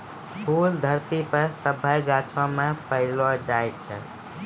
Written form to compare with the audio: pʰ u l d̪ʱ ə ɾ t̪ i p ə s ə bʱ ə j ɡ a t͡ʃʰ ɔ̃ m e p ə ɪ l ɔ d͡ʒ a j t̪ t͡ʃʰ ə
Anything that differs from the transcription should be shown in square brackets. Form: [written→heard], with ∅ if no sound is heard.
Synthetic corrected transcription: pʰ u l d̪ʱ ə ɾ t̪ i p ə s ə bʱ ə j ɡ a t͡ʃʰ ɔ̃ m e p ə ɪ l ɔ d͡ʒ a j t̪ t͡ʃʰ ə